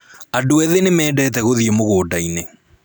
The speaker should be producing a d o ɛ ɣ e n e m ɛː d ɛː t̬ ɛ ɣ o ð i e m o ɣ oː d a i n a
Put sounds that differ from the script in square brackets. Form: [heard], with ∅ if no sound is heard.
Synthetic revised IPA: a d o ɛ [ð] e n e m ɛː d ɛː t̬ ɛ ɣ o ð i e m o ɣ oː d a i n [e]